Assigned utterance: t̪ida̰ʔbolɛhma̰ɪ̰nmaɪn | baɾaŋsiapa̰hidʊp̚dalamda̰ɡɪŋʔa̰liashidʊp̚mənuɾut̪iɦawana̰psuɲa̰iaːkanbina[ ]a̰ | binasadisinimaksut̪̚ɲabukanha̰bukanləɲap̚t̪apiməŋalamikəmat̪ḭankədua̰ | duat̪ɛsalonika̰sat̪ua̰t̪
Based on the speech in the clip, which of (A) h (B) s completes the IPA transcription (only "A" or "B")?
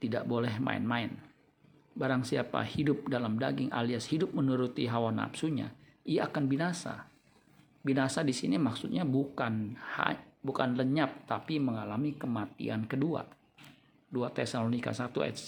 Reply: B